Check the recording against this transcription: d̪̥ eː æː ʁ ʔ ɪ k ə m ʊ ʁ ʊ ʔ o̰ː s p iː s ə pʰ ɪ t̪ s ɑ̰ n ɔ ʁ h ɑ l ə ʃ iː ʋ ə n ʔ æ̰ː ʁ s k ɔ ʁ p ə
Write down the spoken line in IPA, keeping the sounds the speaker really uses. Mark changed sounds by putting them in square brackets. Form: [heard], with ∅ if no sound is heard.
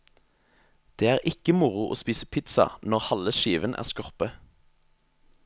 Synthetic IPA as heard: d̪̥ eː æː ʁ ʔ ɪ k ə m ʊ ʁ ʊ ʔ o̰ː s p iː s ə pʰ ɪ t̪ s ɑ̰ n ɔ ʁ h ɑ l ə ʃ iː ʋ ə n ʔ æ̰ː ʁ s k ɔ ʁ p ə